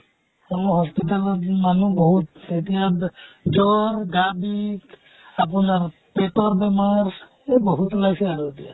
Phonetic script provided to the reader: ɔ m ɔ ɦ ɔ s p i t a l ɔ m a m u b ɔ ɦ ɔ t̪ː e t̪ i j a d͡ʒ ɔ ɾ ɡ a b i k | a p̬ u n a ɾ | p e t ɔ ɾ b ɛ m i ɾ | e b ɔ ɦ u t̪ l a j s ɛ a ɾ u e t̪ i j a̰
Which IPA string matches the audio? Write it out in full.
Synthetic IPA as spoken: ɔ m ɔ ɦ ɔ s p i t a l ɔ m a n u b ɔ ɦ u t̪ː e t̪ i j a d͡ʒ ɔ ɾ ɡ a b i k | a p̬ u n a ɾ | p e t ɔ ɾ b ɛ m a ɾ | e b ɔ ɦ u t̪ l a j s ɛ a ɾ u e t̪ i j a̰